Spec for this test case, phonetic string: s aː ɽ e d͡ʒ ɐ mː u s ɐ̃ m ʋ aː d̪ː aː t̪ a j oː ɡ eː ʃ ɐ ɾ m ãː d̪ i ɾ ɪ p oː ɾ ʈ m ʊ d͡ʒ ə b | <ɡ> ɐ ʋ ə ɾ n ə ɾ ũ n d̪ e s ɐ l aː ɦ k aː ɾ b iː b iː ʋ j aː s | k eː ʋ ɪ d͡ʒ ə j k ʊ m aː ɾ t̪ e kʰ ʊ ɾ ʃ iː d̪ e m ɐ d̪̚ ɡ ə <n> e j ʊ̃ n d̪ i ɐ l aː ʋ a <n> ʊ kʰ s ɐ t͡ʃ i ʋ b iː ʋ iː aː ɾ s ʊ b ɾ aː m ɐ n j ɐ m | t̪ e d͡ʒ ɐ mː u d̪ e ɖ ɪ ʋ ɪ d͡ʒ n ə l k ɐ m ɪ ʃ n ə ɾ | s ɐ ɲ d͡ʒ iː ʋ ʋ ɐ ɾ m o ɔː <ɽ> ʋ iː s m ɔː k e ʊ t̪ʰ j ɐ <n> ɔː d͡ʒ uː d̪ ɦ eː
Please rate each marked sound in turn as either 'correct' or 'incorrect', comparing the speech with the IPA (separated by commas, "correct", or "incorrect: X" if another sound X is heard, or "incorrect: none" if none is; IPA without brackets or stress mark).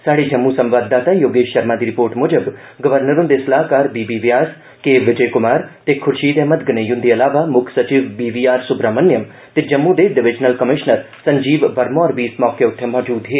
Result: correct, correct, incorrect: m, incorrect: ɾ, incorrect: m